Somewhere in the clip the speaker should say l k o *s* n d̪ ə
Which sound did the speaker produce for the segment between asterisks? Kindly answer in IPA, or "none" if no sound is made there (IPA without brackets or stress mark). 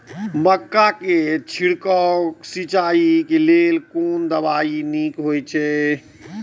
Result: none